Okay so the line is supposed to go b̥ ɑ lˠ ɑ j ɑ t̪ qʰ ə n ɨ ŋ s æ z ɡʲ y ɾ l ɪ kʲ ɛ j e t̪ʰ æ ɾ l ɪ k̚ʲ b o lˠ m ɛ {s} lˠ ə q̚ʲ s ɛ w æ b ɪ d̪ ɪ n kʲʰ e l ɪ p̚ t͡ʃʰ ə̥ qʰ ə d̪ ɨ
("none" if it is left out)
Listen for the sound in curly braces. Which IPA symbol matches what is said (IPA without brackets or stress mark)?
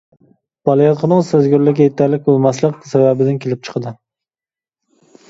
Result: s